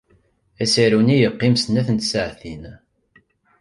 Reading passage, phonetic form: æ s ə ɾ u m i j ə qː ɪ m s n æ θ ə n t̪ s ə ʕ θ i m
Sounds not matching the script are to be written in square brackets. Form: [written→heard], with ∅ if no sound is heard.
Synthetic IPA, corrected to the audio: æ s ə ɾ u [m→n] i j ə qː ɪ m s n æ θ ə n t̪ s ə ʕ θ i [m→n]